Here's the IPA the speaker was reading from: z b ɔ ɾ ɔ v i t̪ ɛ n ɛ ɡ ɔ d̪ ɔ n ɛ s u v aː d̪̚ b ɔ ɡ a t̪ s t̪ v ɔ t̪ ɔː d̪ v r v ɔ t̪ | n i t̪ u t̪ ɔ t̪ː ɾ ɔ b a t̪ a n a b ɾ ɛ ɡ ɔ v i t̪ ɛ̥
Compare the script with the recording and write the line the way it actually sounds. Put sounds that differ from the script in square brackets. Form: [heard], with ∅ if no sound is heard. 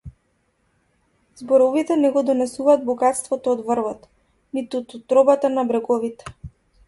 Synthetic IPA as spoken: z b ɔ ɾ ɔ v i t̪ ɛ n ɛ ɡ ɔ d̪ ɔ n ɛ s u v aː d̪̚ b ɔ ɡ a t̪ s t̪ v ɔ t̪ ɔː d̪ v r v ɔ t̪ | n i t̪ u t̪ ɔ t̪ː ɾ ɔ b a t̪ a n a b ɾ ɛ ɡ ɔ v i t̪ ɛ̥